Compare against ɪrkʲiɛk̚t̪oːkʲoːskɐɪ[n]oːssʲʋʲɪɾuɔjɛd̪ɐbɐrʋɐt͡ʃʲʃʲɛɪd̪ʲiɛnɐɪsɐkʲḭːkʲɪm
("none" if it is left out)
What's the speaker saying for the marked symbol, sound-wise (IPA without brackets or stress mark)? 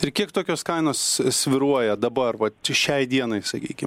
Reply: n